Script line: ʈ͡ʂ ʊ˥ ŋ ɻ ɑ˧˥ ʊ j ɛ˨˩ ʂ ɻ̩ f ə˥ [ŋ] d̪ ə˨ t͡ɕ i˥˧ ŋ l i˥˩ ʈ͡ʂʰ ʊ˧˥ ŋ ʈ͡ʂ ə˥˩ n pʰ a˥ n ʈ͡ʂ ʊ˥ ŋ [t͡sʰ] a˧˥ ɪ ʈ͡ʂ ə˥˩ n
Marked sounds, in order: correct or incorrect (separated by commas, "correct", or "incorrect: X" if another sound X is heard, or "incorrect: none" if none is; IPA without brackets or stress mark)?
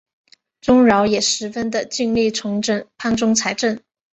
incorrect: n, correct